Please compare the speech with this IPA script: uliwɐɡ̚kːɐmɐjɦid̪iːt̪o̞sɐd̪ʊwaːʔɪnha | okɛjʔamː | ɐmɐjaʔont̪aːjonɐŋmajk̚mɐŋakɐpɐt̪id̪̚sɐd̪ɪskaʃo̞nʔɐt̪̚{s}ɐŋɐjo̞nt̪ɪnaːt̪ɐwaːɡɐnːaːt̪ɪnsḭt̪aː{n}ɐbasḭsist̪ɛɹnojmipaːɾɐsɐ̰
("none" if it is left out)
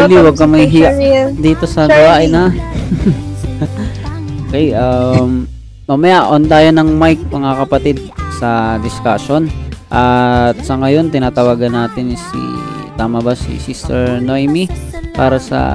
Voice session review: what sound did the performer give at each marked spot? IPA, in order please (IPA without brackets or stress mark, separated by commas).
s, m